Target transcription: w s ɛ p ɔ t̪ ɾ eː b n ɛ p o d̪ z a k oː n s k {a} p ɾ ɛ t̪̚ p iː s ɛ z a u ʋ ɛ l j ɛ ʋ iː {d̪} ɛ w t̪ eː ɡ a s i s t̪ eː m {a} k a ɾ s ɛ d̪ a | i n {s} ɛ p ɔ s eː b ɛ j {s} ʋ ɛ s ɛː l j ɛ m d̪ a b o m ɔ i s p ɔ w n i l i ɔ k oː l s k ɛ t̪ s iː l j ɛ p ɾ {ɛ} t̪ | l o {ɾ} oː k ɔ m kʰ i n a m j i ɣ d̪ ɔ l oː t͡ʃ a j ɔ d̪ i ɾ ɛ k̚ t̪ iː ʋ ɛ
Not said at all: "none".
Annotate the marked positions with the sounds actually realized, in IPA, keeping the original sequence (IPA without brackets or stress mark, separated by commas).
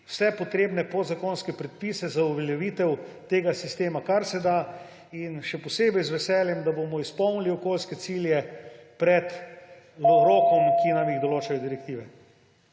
ɛ, t̪, a, ʃ, z, ɛ, ɾ